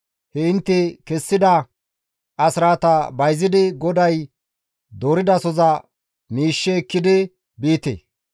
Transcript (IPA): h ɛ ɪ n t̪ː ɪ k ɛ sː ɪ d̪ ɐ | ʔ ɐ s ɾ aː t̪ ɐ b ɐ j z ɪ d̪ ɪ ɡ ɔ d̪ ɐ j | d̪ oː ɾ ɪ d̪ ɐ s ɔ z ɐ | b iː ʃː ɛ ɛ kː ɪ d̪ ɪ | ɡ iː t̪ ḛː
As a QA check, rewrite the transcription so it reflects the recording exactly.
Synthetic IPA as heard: h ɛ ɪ n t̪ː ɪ k ɛ sː ɪ d̪ ɐ | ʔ ɐ s ɾ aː t̪ ɐ b ɐ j z ɪ d̪ ɪ ɡ ɔ d̪ ɐ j | d̪ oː ɾ ɪ d̪ ɐ s ɔ z ɐ | m iː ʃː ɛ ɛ kː ɪ d̪ ɪ | b iː t̪ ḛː